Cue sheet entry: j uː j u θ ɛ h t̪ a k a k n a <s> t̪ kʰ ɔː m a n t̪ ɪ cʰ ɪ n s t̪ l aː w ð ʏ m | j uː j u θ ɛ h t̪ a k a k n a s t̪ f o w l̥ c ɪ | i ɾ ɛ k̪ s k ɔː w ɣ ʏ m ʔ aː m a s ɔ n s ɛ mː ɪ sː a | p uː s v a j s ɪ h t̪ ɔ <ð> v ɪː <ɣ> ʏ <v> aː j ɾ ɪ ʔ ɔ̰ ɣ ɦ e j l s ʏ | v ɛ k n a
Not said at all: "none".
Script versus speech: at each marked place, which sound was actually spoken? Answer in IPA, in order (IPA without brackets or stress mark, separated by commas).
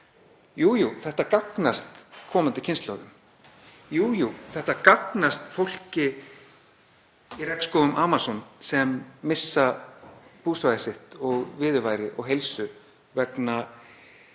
s, ɣ, ð, v